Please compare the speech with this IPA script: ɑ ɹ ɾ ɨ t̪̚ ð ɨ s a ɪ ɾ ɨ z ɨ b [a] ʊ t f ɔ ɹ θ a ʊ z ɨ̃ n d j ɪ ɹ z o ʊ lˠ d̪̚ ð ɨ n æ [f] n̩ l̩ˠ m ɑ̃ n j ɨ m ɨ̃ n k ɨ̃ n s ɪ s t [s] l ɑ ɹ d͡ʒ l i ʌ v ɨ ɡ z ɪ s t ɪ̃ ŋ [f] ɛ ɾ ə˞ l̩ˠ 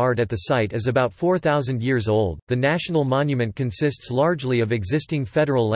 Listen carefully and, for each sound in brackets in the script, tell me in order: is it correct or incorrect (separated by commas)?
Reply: correct, incorrect, correct, correct